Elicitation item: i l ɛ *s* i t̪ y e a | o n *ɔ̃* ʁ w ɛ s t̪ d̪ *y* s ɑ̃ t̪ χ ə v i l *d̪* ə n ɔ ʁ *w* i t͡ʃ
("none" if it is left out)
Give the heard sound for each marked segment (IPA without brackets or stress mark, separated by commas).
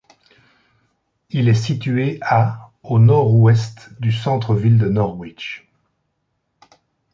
s, ɔ, y, d̪, w